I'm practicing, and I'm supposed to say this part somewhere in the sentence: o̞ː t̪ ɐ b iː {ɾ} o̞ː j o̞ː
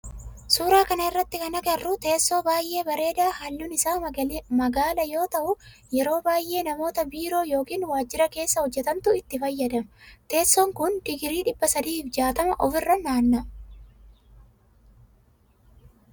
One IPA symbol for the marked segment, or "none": ɾ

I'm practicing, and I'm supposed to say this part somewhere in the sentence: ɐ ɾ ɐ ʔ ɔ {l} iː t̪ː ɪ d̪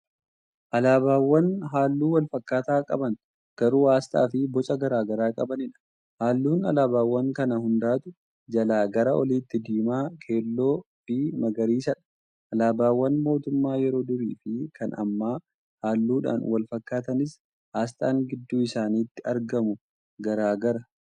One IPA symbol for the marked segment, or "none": l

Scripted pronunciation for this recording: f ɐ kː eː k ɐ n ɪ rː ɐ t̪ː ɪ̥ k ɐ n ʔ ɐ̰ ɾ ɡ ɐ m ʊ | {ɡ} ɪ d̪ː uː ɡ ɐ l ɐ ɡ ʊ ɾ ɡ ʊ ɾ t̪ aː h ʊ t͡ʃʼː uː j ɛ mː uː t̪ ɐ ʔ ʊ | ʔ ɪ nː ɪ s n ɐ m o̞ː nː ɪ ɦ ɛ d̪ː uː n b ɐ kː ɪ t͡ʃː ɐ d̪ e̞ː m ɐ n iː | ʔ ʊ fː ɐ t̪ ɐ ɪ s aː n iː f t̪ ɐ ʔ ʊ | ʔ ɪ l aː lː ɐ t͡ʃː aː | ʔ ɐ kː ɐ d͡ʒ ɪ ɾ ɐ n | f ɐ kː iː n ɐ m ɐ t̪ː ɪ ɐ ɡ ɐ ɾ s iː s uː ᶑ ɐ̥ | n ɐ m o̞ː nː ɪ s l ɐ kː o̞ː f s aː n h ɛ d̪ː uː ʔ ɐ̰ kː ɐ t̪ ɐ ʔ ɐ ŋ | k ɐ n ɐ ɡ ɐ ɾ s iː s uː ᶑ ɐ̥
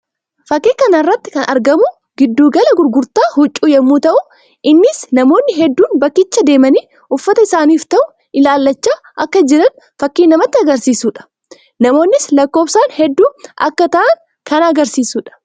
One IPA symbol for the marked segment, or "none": ɡ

